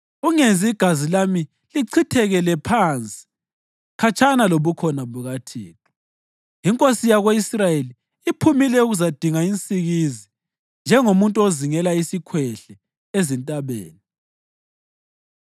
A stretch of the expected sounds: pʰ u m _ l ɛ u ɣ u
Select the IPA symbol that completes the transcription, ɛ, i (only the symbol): i